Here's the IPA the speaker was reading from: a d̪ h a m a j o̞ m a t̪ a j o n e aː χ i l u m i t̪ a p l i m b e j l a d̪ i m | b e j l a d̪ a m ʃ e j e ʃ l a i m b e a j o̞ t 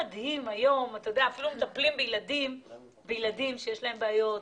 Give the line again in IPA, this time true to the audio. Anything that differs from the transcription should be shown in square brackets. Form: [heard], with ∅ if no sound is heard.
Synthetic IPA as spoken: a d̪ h [i] m a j o̞ m a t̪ a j o [d] e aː [f] i l u m [e] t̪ a p l i m b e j l a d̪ i m | b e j l a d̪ [i] m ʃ e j e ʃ l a [e] m b e a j o̞ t